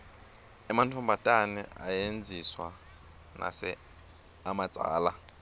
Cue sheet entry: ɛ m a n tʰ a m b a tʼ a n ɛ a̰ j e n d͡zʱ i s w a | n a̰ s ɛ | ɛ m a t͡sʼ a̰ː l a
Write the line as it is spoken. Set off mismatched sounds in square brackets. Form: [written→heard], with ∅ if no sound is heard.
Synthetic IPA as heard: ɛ m a n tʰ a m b a tʼ a n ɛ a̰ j e n d͡zʱ i s w a | n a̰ s ɛ | [ɛ→a] m a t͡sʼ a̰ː l a